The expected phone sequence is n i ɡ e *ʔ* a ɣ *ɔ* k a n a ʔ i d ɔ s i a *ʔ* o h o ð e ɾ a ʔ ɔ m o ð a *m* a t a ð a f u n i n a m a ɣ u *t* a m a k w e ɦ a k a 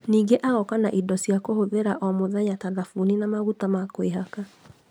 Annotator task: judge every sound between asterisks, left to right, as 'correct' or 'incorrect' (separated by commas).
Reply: correct, correct, incorrect, incorrect, correct